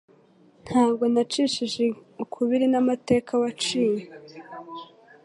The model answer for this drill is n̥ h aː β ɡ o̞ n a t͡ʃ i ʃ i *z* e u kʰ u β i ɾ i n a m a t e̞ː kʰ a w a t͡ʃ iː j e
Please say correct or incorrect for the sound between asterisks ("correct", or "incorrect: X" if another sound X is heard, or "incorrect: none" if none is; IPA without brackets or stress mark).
incorrect: ʒ